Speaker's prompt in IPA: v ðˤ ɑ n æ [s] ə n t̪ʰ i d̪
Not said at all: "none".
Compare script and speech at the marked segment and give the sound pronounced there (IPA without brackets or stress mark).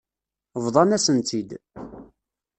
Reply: s